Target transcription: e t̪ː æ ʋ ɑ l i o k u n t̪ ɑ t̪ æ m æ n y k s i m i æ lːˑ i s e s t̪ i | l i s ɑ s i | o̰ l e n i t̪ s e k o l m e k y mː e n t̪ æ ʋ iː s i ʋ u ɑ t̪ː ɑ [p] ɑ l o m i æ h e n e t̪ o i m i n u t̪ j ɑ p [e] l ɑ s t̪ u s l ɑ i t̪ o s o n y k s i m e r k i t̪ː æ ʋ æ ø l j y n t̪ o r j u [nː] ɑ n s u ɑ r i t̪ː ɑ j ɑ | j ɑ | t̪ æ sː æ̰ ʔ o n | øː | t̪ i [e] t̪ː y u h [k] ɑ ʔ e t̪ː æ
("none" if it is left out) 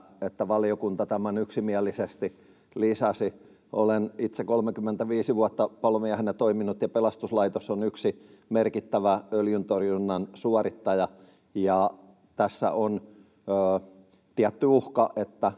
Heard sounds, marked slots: p, e, nː, æ, k

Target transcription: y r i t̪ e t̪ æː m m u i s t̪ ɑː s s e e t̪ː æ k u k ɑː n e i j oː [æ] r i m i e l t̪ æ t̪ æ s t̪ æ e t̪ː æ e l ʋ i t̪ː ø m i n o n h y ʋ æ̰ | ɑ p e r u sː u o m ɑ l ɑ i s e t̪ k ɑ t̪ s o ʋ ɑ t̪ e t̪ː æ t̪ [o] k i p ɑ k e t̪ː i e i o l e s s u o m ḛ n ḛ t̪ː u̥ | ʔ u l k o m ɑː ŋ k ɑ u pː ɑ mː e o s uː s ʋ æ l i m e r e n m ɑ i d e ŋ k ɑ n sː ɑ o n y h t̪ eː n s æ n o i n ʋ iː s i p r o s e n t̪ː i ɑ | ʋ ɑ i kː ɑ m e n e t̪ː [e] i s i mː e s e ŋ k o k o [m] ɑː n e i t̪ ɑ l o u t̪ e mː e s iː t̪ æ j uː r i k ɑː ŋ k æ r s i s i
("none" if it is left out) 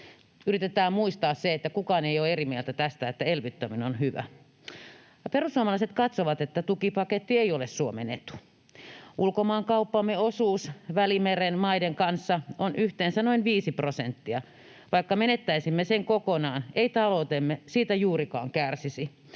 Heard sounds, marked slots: e, u, æ, n

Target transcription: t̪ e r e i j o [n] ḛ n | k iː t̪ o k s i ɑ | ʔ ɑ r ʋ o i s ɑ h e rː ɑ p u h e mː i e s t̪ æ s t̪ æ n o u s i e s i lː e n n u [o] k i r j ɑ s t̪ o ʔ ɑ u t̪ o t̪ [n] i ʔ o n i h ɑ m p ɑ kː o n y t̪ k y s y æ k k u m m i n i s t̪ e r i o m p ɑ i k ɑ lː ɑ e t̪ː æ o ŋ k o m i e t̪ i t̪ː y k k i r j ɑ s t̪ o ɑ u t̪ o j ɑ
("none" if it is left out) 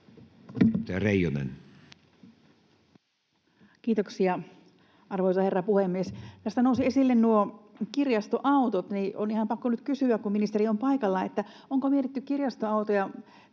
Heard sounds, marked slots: n, o, n

